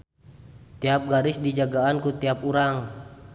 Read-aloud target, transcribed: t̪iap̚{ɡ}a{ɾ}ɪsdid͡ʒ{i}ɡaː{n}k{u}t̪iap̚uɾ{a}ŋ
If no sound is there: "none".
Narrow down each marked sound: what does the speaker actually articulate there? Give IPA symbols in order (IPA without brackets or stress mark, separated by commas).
ɡ, ɾ, a, n, u, a